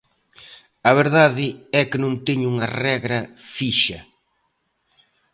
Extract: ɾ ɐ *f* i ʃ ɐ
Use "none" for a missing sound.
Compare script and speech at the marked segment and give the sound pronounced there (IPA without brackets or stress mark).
f